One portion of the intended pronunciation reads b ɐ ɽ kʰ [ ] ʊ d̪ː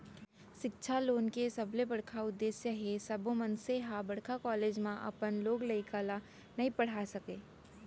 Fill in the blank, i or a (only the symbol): a